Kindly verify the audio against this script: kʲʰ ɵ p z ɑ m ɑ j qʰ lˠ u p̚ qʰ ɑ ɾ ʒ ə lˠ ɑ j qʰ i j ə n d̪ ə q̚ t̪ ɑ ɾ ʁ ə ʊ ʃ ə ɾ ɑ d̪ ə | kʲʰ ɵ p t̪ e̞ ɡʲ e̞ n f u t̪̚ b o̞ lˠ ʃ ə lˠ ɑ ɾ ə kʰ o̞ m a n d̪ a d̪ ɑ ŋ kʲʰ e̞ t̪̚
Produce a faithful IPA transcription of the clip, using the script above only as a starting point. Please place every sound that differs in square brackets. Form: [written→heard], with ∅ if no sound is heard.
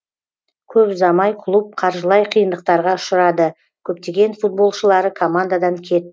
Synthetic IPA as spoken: kʲʰ ɵ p z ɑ m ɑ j qʰ lˠ u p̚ qʰ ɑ ɾ ʒ ə lˠ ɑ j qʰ i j ə n d̪ ə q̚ t̪ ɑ ɾ ʁ [ə→ɑ] ʊ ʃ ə ɾ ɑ d̪ ə | kʲʰ ɵ p t̪ e̞ ɡʲ e̞ n f u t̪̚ b o̞ lˠ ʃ ə lˠ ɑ ɾ ə kʰ o̞ m a n d̪ a d̪ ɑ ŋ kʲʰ e̞ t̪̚